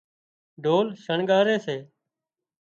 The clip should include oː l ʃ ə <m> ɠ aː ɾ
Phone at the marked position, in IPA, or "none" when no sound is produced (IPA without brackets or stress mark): ɳ